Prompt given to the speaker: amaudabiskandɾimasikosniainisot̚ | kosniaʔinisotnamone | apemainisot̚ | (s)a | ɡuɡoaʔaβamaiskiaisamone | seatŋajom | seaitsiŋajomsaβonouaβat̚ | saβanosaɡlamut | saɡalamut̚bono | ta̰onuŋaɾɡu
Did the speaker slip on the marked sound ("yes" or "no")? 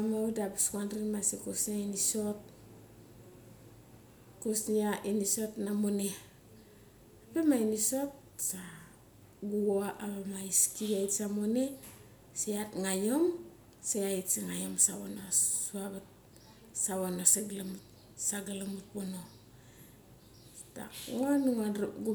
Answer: no